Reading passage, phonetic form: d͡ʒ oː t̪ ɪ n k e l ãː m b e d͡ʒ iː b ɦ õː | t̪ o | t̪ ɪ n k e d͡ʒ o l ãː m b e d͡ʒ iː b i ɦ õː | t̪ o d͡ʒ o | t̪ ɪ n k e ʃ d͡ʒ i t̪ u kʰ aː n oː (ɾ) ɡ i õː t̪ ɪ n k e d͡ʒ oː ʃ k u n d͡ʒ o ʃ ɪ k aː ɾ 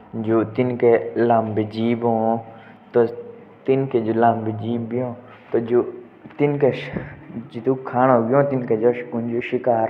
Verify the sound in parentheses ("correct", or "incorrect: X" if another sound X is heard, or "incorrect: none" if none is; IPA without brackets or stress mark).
incorrect: none